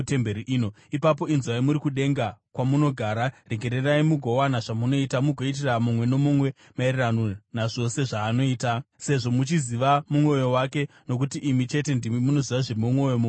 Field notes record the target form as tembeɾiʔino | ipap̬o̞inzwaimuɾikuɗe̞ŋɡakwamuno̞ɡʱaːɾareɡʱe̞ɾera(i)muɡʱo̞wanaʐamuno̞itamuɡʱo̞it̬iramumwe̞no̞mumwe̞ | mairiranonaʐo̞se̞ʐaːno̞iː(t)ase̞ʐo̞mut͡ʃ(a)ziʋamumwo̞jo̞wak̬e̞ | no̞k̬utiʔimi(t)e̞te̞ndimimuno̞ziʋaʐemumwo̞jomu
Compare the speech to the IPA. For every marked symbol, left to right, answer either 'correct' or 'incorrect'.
correct, correct, incorrect: i, incorrect: t͡ʃ

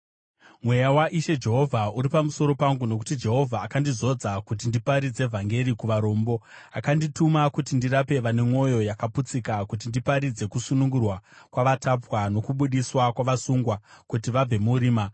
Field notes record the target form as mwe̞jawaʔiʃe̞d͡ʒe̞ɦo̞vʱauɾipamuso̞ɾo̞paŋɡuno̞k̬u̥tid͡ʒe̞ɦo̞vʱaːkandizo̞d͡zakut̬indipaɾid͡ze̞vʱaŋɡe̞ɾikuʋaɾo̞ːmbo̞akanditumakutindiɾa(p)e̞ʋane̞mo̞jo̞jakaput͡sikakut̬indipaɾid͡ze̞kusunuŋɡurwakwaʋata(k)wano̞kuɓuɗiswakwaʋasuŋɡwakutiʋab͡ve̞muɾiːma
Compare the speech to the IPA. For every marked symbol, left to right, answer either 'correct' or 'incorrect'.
correct, incorrect: p

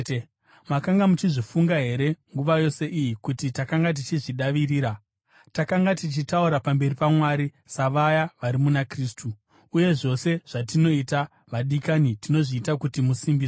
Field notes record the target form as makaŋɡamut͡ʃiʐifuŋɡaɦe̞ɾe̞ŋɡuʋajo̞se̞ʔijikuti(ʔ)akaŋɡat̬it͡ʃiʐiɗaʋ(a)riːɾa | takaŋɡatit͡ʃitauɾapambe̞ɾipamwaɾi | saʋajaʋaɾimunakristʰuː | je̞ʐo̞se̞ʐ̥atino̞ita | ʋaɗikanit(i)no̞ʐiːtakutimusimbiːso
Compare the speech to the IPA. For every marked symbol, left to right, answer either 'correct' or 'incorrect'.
incorrect: t, incorrect: i, correct

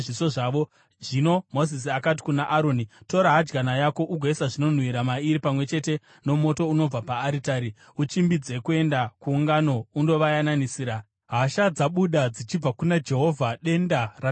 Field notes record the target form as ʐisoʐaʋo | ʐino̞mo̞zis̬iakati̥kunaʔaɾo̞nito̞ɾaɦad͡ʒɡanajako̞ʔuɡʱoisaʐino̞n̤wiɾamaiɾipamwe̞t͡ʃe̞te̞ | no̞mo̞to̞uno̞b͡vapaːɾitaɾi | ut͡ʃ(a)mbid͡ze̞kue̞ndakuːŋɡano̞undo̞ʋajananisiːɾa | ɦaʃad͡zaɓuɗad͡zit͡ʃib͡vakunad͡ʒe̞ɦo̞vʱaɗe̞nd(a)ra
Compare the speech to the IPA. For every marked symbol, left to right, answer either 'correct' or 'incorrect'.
incorrect: i, correct

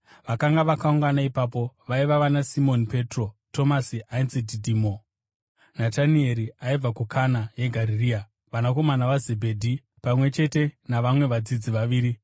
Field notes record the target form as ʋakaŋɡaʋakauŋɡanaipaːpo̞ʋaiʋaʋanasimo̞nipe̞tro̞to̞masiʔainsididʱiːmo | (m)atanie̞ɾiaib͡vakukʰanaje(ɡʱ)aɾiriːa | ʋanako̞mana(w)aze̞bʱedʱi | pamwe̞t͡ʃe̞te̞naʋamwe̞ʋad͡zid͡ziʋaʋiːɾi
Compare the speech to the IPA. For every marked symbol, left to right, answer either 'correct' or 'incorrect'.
incorrect: n, correct, incorrect: ʋ

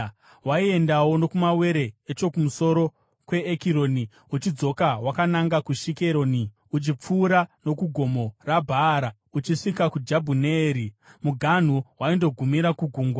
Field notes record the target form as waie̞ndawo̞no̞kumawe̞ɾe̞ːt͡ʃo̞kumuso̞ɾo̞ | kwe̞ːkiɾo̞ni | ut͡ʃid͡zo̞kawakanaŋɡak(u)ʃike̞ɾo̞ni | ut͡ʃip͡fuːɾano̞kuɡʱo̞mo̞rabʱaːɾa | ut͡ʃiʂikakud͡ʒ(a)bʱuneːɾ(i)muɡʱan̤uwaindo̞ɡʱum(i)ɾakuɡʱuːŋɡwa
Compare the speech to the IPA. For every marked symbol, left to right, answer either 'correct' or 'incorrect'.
correct, correct, correct, correct

